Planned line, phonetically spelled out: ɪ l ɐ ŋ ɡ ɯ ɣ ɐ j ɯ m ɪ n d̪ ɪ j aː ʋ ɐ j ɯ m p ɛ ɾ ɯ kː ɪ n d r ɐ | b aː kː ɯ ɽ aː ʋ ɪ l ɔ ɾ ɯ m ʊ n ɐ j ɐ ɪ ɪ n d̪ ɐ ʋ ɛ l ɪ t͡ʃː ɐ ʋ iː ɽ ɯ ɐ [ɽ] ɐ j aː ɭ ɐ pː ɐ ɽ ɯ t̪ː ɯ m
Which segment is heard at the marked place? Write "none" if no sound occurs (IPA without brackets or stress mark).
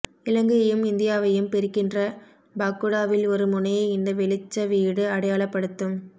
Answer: ɽ